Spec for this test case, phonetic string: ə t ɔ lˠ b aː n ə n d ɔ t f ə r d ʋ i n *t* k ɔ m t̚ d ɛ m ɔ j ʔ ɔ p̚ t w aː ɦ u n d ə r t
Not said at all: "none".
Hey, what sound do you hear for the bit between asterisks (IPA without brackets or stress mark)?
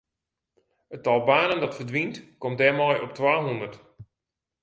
t